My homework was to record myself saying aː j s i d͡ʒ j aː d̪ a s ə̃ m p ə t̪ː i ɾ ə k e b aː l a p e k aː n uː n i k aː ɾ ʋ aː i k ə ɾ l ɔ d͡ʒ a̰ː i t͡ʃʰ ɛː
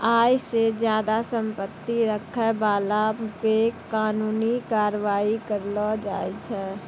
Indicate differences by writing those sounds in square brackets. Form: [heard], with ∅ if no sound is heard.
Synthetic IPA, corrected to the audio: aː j s [e] d͡ʒ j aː d̪ a s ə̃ m p ə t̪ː i ɾ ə [kʰ] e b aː l a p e k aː n uː n i k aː ɾ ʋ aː i k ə ɾ l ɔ d͡ʒ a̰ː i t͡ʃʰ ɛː